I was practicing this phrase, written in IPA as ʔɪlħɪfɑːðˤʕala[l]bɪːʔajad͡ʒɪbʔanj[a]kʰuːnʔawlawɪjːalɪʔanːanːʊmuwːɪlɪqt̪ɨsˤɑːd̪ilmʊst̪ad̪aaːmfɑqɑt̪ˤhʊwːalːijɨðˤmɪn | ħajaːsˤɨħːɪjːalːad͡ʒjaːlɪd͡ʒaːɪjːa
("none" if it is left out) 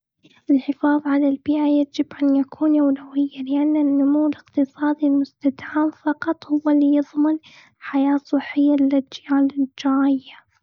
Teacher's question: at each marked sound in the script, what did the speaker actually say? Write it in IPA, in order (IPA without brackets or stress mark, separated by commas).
l, a